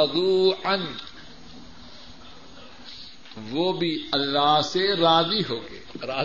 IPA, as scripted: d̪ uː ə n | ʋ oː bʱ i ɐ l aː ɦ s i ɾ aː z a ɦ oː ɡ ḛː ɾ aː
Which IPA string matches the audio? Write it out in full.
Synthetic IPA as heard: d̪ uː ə n | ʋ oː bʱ i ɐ lː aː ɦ s e ɾ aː z i ɦ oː ɡ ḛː ɾ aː